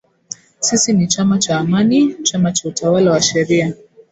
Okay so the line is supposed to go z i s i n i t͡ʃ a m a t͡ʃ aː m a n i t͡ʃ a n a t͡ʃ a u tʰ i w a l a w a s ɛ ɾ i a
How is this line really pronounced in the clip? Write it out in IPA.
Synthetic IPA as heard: s i s i n i t͡ʃ a m a t͡ʃ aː m a n i t͡ʃ a m a t͡ʃ a u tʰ a w a l a w a ʃ ɛ ɾ i a